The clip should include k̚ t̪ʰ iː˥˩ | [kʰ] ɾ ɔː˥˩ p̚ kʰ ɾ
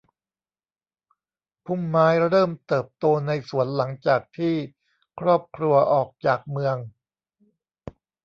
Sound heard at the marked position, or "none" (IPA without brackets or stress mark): kʰ